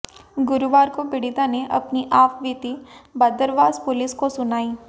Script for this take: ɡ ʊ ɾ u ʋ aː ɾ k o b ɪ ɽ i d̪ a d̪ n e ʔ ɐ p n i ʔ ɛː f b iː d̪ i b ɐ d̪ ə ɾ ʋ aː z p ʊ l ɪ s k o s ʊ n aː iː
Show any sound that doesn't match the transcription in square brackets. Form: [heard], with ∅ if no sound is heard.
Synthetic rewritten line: ɡ ʊ ɾ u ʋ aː ɾ k o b ɪ ɽ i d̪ a [∅] n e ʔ ɐ p n i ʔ [aː] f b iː [t̪] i b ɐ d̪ ə ɾ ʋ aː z p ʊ l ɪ s k o s ʊ n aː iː